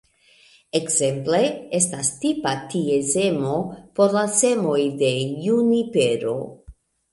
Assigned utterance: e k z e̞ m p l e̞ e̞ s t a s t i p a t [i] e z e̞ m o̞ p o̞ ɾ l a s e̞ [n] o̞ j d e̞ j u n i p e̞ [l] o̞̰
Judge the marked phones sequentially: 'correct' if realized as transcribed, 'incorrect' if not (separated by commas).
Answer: correct, incorrect, incorrect